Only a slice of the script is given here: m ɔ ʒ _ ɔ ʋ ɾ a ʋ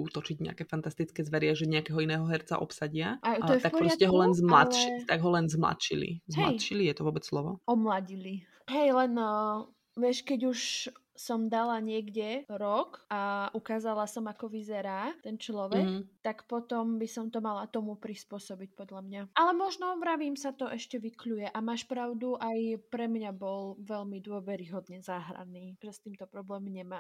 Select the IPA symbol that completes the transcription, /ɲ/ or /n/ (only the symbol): n